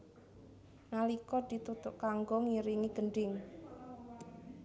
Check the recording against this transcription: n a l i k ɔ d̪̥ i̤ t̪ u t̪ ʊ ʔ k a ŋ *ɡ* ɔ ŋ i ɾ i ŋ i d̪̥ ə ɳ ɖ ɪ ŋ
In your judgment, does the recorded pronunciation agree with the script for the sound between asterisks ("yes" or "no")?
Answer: yes